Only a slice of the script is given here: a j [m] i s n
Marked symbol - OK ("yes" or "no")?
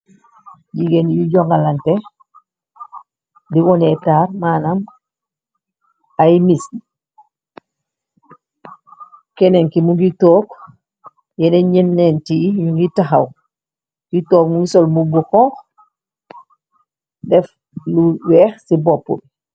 yes